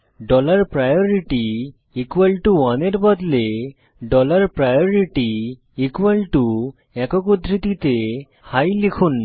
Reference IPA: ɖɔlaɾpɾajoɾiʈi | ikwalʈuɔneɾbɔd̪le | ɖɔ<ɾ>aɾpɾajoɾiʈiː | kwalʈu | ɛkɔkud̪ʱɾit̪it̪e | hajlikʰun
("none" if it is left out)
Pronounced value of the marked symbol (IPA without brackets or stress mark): l